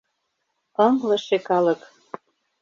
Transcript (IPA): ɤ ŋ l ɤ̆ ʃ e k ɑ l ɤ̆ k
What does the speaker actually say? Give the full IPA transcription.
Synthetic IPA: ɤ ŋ l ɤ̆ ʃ e k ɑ l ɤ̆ k